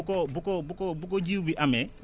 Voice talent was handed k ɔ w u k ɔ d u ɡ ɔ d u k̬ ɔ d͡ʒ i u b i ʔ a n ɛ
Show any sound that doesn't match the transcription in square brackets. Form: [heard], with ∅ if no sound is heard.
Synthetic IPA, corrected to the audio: k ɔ [b] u k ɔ [b] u [k] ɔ [b] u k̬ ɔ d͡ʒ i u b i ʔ a [m] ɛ